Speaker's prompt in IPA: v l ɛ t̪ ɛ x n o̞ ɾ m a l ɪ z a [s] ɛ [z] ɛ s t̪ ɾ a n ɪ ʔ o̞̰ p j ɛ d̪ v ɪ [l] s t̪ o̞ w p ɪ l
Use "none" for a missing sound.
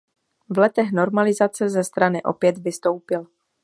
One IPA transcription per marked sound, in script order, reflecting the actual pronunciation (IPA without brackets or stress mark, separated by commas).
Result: t͡s, z, none